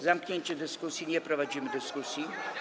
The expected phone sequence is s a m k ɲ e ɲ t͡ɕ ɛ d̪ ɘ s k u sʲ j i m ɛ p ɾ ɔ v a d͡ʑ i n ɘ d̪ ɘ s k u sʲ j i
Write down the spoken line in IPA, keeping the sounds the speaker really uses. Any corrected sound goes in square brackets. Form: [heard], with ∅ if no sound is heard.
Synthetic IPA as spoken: [z] a m k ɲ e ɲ t͡ɕ ɛ d̪ ɘ s k u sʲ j i [ɲ] ɛ p ɾ ɔ v a d͡ʑ i [m] ɘ d̪ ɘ s k u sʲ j i

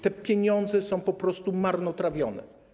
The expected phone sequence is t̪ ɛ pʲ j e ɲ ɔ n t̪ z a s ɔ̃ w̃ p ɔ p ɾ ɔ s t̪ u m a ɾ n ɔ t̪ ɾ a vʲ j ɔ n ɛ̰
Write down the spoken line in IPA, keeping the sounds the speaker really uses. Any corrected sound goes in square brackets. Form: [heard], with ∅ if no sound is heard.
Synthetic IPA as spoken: t̪ ɛ pʲ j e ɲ ɔ n [d̪] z [ɛ] s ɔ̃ w̃ p ɔ p ɾ ɔ s t̪ u m a ɾ n ɔ t̪ ɾ a vʲ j ɔ n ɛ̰

